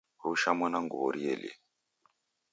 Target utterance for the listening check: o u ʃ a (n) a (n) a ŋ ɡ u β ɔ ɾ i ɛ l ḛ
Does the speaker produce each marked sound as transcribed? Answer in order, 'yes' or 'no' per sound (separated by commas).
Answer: no, yes